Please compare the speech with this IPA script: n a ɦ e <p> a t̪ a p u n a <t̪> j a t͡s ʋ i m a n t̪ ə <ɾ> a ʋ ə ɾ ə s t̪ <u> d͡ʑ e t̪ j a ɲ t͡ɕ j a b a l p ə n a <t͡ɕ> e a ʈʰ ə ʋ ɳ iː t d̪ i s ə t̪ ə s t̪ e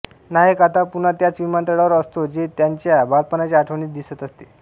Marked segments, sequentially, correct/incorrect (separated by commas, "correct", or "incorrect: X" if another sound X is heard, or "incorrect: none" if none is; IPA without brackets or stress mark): incorrect: k, correct, incorrect: ɽ, incorrect: o, correct